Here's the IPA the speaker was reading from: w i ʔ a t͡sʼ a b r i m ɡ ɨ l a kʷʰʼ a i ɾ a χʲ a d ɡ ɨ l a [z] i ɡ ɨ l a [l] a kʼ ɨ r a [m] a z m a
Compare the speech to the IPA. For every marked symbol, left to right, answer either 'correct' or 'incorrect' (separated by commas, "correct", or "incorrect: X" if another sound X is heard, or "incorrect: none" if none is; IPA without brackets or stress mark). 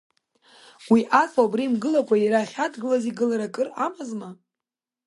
correct, incorrect: ɾ, correct